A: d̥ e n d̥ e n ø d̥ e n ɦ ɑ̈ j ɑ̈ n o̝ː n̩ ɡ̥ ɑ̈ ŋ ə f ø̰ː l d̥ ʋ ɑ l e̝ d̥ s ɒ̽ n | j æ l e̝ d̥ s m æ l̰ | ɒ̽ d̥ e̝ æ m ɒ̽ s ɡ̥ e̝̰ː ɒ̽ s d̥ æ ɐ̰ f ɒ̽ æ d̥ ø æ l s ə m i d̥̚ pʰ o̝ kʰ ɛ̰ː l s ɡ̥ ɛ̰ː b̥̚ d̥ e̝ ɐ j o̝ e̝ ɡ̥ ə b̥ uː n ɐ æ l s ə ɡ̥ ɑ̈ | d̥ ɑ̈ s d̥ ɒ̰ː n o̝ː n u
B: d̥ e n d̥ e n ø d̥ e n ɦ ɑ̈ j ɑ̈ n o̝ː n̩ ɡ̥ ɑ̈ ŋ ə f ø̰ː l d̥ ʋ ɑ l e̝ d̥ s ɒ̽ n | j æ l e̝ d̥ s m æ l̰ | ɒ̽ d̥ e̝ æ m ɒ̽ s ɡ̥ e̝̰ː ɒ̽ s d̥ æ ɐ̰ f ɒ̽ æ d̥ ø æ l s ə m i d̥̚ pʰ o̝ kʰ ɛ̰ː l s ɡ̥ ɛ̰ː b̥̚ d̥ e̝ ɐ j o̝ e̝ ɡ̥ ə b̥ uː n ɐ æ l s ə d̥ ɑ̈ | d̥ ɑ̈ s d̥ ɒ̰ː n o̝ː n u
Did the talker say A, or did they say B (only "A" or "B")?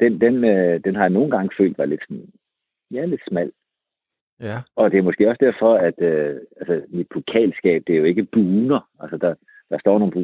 B